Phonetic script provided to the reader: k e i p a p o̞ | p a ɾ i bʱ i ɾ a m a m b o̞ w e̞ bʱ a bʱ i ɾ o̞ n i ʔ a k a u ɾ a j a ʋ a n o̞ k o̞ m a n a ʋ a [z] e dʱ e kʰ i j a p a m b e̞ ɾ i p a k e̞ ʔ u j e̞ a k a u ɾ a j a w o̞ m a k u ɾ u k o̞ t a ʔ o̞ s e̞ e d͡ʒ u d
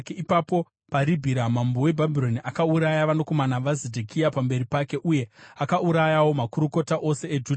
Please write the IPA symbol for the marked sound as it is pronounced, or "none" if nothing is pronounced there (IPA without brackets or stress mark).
z